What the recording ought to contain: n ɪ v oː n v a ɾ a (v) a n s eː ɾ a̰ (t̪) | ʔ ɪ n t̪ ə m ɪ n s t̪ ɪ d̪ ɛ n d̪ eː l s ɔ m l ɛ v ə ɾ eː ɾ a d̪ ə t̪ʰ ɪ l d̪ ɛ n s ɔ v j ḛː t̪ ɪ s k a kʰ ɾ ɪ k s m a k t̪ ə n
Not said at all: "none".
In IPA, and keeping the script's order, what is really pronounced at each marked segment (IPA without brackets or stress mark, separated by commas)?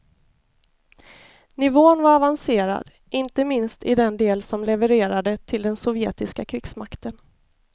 v, d̪